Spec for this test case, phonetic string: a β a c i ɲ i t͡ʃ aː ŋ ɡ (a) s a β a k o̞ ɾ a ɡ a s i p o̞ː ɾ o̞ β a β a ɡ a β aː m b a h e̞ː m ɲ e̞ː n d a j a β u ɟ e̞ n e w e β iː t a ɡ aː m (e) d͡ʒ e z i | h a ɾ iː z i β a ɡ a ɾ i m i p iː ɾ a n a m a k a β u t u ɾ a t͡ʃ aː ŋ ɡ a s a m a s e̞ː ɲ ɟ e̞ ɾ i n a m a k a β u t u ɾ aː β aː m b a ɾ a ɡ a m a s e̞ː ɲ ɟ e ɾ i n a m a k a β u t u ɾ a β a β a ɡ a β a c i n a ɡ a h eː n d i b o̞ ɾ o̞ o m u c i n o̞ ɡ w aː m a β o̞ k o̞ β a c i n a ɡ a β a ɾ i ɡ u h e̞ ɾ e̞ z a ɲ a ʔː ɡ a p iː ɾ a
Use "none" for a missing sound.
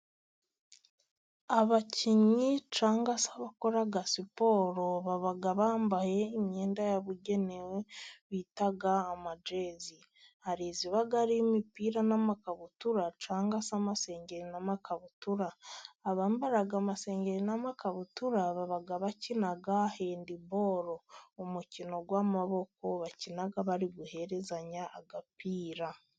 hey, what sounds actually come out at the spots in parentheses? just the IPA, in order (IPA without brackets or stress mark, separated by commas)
a, a